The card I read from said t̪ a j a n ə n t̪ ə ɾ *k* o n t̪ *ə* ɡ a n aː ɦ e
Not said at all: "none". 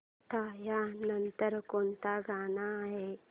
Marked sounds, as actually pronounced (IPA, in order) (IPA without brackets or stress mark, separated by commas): k, a